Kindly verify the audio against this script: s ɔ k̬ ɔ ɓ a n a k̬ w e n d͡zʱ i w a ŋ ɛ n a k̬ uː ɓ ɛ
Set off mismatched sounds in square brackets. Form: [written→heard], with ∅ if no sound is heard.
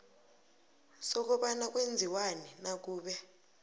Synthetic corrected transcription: s ɔ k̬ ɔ ɓ a n a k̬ w e n d͡zʱ i w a [ŋ→n] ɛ n a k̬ uː ɓ ɛ